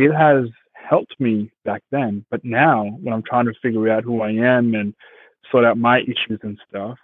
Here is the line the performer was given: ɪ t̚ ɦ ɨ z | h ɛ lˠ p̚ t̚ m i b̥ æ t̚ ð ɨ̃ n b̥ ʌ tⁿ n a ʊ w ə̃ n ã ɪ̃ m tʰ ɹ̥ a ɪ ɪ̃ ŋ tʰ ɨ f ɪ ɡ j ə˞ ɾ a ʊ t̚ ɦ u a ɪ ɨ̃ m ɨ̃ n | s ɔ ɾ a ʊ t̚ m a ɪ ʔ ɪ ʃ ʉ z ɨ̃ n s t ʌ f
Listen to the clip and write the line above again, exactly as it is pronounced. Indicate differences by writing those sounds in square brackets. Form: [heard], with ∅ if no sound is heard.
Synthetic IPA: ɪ t̚ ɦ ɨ z | h ɛ lˠ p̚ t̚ m i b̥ æ [k̚] ð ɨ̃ n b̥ ʌ tⁿ n a ʊ w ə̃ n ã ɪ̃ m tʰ ɹ̥ a ɪ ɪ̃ ŋ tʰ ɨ f ɪ ɡ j ə˞ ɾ a ʊ t̚ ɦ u a ɪ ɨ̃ m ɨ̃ n | s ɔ ɾ a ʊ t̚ m a ɪ ʔ ɪ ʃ ʉ z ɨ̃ n s t ʌ f